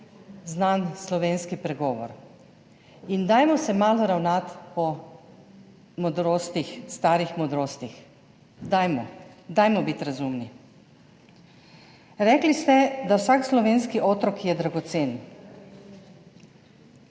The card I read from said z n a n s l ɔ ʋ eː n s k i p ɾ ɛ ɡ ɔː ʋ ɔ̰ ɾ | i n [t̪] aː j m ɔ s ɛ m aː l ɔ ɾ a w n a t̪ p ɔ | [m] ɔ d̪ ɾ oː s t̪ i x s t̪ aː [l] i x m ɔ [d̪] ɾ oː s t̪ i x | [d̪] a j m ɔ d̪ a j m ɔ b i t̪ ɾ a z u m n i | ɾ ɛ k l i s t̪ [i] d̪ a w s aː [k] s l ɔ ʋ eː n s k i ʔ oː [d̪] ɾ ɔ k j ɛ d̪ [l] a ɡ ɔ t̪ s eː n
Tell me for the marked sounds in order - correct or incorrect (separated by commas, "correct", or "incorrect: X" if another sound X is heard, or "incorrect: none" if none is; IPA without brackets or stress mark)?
incorrect: d̪, correct, incorrect: ɾ, correct, correct, incorrect: ɛ, correct, incorrect: t̪, incorrect: ɾ